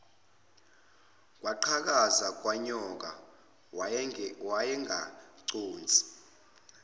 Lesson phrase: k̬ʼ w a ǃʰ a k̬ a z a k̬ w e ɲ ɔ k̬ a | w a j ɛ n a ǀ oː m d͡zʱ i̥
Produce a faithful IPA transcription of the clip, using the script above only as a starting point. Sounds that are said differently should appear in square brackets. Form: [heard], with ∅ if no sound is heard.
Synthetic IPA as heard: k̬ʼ w a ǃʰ a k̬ a z a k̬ w [a] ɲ ɔ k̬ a | w a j ɛ [ŋ] a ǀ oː [n] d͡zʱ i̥